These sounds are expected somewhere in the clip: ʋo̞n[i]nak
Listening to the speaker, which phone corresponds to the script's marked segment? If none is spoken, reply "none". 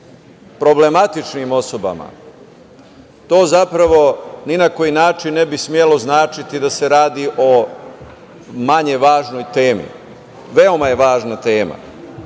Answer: i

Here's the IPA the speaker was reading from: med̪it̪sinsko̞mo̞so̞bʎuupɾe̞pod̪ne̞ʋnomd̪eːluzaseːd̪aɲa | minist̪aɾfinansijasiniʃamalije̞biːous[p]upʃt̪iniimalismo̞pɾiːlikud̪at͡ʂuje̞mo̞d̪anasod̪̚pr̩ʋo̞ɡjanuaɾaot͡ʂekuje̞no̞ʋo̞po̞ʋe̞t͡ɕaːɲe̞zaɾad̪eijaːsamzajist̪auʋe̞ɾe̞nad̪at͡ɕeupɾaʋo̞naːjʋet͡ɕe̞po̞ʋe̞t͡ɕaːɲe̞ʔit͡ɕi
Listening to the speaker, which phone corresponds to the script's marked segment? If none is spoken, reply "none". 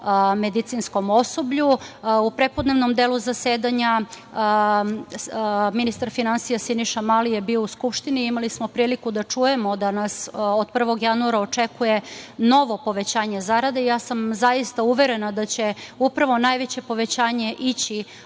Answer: k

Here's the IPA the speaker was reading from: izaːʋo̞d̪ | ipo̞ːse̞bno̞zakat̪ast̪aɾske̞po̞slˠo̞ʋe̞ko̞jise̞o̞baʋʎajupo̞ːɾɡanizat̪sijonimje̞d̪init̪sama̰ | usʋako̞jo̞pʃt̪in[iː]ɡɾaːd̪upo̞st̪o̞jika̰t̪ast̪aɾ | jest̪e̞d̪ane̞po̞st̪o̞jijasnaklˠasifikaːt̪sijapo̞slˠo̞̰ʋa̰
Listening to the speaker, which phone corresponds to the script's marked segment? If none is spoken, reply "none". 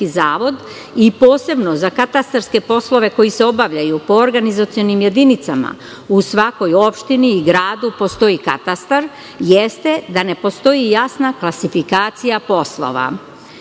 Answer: iː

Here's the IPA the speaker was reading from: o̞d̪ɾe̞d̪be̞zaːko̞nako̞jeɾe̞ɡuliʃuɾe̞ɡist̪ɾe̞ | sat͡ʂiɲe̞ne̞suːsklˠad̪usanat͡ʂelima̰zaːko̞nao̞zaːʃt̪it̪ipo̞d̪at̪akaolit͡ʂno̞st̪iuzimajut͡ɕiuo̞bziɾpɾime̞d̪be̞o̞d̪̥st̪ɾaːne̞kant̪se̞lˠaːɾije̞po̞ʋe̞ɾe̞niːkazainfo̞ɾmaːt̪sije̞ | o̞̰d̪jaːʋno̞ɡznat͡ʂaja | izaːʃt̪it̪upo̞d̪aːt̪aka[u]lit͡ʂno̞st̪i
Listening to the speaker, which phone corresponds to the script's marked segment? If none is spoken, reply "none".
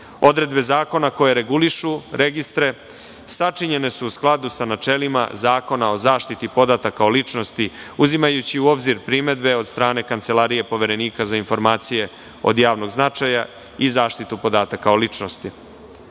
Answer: o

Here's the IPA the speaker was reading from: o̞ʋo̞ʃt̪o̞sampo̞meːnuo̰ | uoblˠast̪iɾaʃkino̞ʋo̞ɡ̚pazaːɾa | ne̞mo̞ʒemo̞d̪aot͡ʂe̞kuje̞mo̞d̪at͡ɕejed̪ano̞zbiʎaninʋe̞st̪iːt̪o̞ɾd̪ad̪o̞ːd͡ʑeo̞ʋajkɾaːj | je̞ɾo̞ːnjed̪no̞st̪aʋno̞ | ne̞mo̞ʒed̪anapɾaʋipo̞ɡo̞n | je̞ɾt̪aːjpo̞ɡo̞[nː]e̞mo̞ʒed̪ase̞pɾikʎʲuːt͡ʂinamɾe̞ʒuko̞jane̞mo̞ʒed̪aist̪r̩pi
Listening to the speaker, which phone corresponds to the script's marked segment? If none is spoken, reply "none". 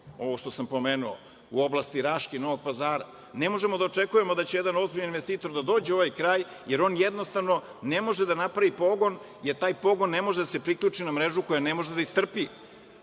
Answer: nː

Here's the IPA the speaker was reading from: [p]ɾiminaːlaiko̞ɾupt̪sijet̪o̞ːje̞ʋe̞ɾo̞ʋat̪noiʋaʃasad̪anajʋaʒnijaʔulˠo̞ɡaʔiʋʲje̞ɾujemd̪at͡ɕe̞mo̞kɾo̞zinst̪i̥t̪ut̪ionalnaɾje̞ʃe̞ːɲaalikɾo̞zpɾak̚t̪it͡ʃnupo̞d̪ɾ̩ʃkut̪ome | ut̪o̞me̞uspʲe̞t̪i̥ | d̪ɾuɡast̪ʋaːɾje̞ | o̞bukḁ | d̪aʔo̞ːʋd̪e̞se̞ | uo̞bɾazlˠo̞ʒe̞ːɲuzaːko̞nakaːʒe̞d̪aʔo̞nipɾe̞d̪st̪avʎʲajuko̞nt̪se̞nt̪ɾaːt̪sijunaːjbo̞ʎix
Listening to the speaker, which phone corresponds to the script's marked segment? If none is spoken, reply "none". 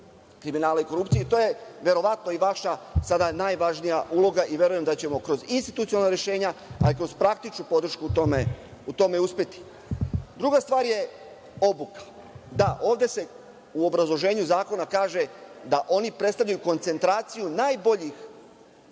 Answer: k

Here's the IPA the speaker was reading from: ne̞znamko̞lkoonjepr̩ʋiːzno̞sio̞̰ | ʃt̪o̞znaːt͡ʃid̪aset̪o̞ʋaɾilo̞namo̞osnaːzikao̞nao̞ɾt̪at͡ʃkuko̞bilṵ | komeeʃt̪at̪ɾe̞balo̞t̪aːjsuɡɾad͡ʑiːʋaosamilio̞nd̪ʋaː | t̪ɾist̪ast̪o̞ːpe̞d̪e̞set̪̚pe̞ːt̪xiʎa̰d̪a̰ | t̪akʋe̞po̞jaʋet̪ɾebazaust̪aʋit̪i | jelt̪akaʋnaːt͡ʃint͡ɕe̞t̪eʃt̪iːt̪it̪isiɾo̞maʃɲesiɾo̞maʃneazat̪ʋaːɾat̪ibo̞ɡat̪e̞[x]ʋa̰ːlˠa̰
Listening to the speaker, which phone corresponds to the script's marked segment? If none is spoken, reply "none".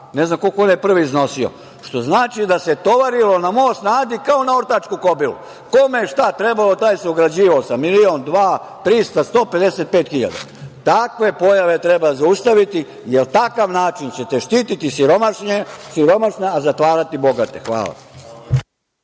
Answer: x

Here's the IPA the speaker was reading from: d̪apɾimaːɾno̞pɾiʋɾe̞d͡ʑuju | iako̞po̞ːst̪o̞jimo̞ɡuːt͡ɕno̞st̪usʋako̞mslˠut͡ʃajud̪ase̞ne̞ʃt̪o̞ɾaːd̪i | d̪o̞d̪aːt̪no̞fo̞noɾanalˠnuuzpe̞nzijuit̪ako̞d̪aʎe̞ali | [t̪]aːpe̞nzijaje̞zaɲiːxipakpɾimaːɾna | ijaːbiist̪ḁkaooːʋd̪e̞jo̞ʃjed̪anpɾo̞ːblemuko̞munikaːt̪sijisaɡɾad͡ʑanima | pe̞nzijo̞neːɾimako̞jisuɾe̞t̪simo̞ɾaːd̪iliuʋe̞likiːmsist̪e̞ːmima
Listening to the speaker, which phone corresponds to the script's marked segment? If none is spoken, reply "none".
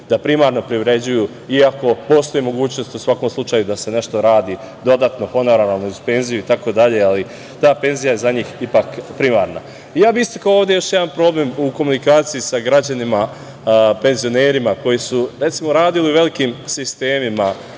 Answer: t̪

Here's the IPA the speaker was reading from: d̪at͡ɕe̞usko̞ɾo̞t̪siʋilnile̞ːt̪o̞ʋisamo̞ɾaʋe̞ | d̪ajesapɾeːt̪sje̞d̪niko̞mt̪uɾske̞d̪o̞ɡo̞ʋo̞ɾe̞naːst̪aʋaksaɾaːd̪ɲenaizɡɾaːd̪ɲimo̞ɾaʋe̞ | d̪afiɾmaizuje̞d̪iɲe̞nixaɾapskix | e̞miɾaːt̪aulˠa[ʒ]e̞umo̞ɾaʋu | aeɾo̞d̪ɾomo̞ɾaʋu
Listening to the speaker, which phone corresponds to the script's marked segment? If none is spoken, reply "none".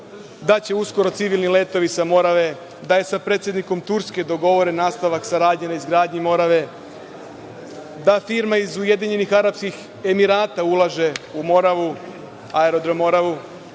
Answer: ʒ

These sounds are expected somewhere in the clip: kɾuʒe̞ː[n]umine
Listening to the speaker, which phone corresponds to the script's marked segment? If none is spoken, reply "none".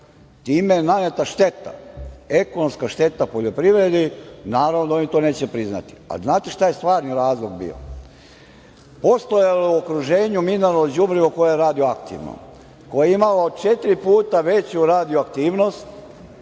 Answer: ɲ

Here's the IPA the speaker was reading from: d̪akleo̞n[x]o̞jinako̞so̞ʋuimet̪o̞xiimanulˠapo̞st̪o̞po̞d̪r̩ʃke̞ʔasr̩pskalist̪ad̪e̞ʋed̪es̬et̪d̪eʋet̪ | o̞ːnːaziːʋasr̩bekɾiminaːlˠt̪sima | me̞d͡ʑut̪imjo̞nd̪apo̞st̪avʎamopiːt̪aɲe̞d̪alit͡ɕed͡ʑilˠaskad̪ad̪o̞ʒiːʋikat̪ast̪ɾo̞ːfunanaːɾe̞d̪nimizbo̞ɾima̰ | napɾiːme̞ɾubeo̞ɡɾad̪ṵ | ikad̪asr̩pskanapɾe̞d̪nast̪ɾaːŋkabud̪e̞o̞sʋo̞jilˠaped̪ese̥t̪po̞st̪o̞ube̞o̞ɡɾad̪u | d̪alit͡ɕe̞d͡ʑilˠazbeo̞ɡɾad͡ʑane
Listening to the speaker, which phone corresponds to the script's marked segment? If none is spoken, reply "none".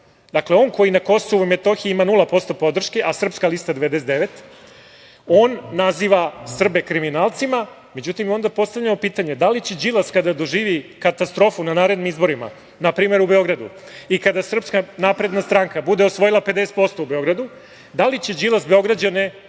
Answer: k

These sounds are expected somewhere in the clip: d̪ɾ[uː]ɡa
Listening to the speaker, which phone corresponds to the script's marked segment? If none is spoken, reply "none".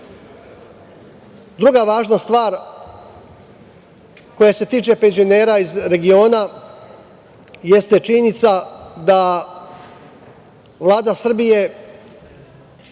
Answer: u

